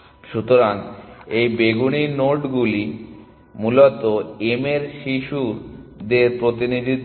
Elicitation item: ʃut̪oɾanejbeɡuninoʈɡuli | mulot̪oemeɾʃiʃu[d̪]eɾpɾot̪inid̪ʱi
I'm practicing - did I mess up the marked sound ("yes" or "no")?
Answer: no